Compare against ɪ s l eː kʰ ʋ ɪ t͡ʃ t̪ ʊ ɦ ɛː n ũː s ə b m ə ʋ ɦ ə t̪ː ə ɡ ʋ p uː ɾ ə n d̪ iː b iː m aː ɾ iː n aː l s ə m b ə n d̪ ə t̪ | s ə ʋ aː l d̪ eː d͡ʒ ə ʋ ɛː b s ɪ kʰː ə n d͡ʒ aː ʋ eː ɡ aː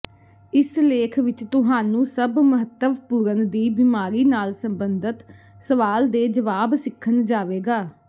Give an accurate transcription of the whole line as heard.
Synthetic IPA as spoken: ɪ s l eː kʰ ʋ ɪ t͡ʃ t̪ ʊ ɦ aː n ũː s ə b m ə ɦ ə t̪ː ə ʋ p uː ɾ ə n d̪ iː b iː m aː ɾ iː n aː l s ə m b ə n d̪ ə t̪ | s ə ʋ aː l d̪ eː d͡ʒ ə ʋ aː b s ɪ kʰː ə n d͡ʒ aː ʋ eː ɡ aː